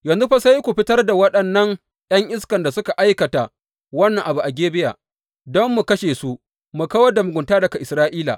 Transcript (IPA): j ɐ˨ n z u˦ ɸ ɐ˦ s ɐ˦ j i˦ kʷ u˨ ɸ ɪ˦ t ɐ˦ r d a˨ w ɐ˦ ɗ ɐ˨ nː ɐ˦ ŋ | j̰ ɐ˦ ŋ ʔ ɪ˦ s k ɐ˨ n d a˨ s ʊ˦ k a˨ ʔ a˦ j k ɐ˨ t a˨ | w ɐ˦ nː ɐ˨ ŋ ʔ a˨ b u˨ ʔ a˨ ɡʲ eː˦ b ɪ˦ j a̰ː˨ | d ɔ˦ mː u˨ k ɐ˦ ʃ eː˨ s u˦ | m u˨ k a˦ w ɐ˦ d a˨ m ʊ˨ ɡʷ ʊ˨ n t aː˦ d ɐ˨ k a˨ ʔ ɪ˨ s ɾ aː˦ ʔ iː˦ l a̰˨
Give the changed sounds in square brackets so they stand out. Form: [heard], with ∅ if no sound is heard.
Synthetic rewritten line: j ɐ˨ n z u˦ ɸ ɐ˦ s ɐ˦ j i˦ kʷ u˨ ɸ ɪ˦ t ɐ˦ r d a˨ w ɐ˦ ɗ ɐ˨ nː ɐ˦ ŋ | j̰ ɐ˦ ŋ ʔ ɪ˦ s k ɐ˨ n d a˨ s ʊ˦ k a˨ ʔ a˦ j k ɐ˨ t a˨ | w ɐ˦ nː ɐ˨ ŋ ʔ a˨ b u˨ ʔ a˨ ɡʲ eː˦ b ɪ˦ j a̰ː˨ | d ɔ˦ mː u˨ k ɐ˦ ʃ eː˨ s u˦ | m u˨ k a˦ w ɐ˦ d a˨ m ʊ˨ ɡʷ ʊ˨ n t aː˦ d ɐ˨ k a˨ ʔ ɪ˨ s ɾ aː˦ ʔ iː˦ l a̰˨

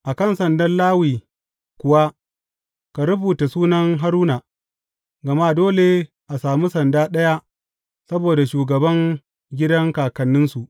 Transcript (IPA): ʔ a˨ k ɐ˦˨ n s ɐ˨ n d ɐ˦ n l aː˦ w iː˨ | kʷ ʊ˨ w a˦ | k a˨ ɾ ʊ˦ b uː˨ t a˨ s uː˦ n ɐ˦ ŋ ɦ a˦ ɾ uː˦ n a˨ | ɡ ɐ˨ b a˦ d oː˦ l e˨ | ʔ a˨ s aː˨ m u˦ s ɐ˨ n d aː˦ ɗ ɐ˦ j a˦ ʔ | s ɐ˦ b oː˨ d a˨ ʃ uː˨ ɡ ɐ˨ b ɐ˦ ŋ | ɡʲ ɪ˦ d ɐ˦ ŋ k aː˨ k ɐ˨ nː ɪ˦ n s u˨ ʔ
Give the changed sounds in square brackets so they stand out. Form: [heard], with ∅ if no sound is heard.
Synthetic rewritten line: ʔ a˨ k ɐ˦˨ n s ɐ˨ n d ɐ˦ n l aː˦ w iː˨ | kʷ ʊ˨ w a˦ | k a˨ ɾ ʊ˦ b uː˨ t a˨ s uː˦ n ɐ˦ ŋ ɦ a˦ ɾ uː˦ n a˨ | ɡ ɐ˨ [m] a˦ d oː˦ l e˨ | ʔ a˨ s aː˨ m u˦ s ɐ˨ n d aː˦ ɗ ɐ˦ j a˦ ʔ | s ɐ˦ b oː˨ d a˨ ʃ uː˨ ɡ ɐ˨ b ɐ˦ ŋ | ɡʲ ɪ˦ d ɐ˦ ŋ k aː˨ k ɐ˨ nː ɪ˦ n s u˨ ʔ

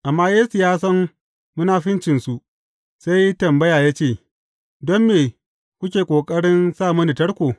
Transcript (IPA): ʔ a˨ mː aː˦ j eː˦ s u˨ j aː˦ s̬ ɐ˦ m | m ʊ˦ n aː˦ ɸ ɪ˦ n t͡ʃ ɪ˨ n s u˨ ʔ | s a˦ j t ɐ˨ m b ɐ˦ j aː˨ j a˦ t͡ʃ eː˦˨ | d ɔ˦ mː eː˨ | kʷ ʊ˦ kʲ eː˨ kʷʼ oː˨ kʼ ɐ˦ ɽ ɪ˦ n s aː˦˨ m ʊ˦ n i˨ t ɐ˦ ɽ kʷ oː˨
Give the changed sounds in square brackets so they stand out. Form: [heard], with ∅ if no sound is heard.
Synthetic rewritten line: ʔ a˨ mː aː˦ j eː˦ s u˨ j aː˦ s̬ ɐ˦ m | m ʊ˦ n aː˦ ɸ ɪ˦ n t͡ʃ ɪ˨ n s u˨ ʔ | s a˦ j t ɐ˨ m b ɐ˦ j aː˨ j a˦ t͡ʃ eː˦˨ | d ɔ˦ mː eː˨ | kʷ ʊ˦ kʲ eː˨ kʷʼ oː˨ kʼ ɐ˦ ɽ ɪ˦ n s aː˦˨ m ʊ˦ n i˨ t ɐ˦ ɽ kʷ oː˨

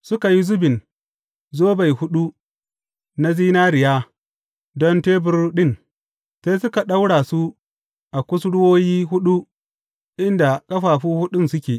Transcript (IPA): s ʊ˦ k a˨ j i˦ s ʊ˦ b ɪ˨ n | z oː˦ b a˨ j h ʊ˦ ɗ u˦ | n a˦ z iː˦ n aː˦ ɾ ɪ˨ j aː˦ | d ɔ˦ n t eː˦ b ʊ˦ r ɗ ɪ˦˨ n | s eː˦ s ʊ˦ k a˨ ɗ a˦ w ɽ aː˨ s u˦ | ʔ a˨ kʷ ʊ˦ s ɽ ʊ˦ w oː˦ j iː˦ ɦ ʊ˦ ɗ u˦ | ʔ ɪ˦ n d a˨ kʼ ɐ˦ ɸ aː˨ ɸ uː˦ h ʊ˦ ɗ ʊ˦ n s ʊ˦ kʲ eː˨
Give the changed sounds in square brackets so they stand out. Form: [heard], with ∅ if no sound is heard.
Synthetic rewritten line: s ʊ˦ k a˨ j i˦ [z] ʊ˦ b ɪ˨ n | z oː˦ b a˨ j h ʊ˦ ɗ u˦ | n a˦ z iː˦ n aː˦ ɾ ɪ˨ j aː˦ | d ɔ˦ n t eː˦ b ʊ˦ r ɗ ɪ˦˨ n | s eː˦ s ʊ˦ k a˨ ɗ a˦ w ɽ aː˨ s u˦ | ʔ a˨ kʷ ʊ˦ s ɽ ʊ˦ w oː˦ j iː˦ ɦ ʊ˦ ɗ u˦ | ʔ ɪ˦ n d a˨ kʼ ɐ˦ ɸ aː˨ ɸ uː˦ h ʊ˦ ɗ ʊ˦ n s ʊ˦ kʲ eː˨

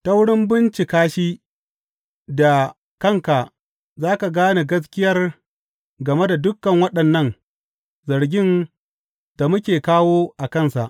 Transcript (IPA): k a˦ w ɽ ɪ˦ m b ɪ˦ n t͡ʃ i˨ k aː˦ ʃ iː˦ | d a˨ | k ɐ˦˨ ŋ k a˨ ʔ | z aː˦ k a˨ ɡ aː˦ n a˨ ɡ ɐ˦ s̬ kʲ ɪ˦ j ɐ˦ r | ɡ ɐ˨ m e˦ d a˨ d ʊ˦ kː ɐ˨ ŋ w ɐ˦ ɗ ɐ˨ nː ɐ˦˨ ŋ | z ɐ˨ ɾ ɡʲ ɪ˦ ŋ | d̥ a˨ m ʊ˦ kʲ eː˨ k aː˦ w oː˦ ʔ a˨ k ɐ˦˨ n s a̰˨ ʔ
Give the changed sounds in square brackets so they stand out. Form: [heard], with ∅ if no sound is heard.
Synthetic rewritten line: [t] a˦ w ɽ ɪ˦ m b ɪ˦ n t͡ʃ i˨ k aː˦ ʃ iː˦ | d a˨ | k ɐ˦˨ ŋ k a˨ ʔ | z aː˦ k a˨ ɡ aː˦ n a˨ ɡ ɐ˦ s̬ kʲ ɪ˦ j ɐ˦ r | ɡ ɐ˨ m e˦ d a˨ d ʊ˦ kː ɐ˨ ŋ w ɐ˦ ɗ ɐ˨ nː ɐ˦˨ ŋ | z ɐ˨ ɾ ɡʲ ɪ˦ [n] | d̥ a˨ m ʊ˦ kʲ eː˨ k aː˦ w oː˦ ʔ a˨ k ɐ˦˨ n s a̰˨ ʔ

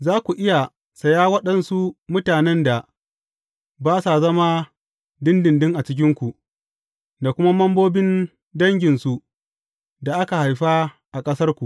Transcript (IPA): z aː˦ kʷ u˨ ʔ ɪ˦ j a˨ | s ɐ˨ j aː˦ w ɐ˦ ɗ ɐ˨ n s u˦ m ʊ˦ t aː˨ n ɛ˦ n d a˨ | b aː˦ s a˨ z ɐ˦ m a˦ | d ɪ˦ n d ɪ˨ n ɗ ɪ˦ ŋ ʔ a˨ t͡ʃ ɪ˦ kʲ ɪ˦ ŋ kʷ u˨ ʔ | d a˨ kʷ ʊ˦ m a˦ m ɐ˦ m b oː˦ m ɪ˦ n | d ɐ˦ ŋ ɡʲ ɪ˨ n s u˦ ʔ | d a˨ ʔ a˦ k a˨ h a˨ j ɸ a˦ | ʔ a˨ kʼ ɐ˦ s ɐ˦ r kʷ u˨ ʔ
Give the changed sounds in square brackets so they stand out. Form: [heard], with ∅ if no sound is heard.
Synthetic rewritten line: z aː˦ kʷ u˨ ʔ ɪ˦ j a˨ | s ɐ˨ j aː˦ w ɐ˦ ɗ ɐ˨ n s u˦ m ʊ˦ t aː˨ n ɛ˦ n d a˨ | b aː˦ s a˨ z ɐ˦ m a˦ | d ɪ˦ n d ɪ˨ n [d] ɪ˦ ŋ ʔ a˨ t͡ʃ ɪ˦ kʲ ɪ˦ ŋ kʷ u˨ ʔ | d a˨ kʷ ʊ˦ m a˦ m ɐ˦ m b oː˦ [b] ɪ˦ n | d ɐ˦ ŋ ɡʲ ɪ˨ n s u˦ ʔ | d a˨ ʔ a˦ k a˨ h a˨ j ɸ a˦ | ʔ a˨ kʼ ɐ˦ s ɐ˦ r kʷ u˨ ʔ

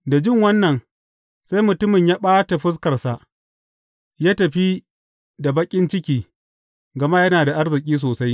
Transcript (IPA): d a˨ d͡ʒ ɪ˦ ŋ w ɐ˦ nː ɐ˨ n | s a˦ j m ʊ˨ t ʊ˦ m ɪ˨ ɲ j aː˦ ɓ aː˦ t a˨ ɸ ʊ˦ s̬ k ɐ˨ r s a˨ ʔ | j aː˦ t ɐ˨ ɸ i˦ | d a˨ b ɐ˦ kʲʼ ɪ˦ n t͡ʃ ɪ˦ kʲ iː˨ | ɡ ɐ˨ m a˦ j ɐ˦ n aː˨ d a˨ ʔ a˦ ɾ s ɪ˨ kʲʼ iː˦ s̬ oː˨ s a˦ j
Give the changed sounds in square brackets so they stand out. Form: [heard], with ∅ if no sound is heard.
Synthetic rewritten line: d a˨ d͡ʒ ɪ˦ ŋ w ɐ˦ nː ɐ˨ n | s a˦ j m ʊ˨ t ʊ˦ m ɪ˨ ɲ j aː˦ ɓ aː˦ t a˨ ɸ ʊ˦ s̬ k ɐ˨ r s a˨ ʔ | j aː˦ t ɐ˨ ɸ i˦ | d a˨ b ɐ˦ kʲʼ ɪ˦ n t͡ʃ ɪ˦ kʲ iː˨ | ɡ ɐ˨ m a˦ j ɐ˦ n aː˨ d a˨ ʔ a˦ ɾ [z] ɪ˨ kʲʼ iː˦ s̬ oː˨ s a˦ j

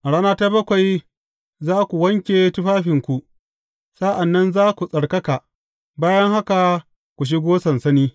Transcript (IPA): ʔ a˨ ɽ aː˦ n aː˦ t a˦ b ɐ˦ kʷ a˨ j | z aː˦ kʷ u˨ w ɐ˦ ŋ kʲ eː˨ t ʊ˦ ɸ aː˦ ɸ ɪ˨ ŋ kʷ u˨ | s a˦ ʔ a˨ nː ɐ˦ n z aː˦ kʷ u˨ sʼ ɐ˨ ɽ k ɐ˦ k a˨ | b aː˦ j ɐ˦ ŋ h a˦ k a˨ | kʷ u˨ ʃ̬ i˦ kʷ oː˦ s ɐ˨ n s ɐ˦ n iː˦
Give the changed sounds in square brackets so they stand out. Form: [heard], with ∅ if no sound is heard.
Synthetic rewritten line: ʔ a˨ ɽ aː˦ n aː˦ t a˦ b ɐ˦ kʷ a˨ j | z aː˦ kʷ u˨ w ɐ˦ ŋ kʲ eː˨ t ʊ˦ ɸ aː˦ ɸ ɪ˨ ŋ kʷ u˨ | s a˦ ʔ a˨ nː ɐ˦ n z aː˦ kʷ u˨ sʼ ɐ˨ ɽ k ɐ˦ k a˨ | b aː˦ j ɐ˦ ŋ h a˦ k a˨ | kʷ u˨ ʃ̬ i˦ [ɡʷ] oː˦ s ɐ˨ n s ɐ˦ n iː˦

